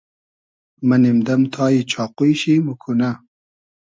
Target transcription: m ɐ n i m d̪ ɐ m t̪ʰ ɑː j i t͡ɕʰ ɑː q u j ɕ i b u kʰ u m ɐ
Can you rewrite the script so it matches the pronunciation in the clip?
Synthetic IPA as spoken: m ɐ n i m d̪ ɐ m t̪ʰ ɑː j i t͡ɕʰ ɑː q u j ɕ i m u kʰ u n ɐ